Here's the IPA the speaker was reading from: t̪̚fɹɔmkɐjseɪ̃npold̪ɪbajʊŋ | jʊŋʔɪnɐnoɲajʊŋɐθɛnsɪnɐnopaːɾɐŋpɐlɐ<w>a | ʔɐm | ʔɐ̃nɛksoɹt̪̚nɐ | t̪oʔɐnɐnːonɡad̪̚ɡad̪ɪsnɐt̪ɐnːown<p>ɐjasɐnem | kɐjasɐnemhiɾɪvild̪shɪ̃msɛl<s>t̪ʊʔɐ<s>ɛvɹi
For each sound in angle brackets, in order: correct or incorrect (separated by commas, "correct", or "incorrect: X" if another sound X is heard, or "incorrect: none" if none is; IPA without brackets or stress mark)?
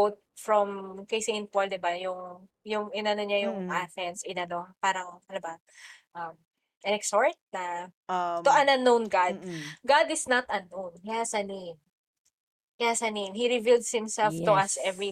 incorrect: b, incorrect: k, incorrect: f, correct